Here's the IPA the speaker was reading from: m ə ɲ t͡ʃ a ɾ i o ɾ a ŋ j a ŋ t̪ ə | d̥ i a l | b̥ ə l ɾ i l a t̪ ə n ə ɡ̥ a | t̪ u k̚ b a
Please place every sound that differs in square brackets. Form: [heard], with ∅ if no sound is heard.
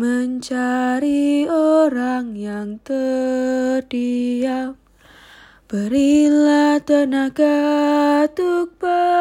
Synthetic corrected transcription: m ə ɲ t͡ʃ a ɾ i o ɾ a ŋ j a ŋ t̪ ə | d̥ i a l | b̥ ə [∅] ɾ i l a t̪ ə n [a] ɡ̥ a | t̪ u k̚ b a